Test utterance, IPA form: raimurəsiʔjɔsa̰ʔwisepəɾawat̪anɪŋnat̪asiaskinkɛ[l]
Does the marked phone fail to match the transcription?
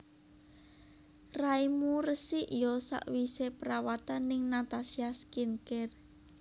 yes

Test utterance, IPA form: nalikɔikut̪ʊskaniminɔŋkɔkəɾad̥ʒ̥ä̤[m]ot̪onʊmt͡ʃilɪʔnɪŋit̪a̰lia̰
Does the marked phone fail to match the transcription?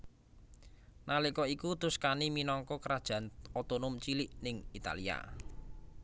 yes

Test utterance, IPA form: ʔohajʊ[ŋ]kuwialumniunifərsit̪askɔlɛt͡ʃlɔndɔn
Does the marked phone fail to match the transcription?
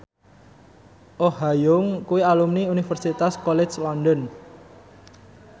no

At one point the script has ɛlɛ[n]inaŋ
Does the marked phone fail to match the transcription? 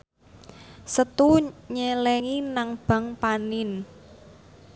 yes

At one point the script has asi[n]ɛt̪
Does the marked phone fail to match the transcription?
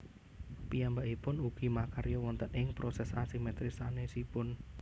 yes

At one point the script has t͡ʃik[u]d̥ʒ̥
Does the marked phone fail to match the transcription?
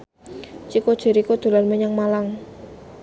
yes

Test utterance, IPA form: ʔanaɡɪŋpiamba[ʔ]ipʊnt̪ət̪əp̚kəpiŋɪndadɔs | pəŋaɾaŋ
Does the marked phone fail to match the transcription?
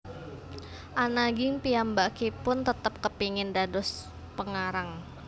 yes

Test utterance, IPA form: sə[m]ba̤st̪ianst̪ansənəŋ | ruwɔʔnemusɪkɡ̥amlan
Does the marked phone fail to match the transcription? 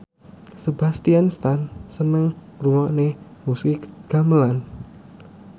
yes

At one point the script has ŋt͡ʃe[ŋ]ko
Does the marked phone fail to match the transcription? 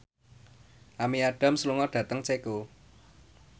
yes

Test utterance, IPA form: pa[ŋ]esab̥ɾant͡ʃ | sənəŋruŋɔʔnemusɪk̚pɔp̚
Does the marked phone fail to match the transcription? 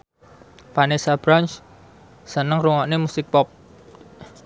yes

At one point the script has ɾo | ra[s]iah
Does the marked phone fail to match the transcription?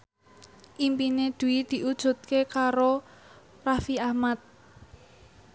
yes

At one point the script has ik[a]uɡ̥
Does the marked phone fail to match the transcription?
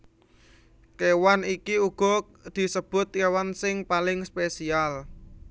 yes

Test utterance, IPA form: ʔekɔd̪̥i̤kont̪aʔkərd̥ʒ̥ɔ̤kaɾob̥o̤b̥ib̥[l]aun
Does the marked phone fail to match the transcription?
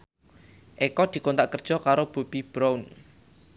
yes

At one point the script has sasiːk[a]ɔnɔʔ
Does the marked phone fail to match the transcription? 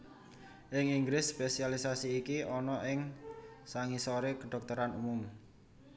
yes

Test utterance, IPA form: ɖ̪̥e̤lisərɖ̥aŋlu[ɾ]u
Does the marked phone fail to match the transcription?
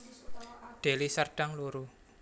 no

